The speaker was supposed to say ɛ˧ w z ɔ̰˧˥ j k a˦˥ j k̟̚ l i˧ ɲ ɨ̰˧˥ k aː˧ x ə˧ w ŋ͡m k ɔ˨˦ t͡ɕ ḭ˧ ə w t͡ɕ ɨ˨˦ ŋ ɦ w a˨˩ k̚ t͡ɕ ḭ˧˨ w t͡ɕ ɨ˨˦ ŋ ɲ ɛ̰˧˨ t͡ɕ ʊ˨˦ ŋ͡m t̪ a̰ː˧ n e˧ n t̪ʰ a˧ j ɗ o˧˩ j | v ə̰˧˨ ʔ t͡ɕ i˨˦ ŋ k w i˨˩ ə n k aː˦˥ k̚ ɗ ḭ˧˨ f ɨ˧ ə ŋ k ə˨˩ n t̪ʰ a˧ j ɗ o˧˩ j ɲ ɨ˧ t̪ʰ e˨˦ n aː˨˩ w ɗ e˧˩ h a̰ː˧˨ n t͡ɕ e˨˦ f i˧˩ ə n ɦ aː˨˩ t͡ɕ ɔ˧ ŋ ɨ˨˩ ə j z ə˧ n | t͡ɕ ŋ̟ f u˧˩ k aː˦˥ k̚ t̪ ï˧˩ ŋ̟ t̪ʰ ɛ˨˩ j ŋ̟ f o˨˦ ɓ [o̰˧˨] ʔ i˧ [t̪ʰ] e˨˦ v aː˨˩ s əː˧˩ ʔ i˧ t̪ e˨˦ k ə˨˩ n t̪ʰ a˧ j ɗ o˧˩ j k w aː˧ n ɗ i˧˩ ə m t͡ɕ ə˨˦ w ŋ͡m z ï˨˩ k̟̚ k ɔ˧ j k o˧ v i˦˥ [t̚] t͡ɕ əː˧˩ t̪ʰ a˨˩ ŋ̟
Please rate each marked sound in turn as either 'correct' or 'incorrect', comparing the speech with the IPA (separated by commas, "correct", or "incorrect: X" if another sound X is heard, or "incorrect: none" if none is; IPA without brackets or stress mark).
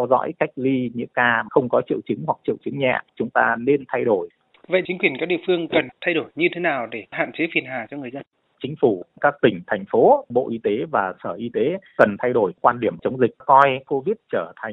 correct, incorrect: t̪, correct